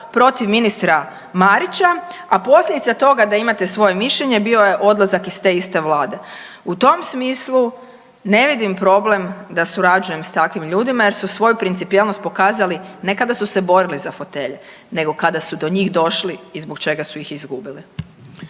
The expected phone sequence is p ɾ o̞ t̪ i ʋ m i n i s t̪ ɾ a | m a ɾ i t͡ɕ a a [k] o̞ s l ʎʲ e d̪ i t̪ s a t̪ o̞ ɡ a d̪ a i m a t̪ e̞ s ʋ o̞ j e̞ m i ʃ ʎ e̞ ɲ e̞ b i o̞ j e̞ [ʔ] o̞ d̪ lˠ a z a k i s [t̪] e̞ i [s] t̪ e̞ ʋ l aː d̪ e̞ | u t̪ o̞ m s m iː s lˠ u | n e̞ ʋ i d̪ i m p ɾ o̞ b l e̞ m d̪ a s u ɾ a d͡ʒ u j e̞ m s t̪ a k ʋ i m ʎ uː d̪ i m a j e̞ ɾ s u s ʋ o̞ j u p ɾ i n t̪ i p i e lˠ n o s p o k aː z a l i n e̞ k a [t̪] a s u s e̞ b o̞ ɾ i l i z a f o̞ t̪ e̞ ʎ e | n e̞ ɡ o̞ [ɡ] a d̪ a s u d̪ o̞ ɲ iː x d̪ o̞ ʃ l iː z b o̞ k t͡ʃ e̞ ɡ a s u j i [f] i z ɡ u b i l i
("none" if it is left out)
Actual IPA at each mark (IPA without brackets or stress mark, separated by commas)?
p, ʔ, t̪, s, d̪, k, x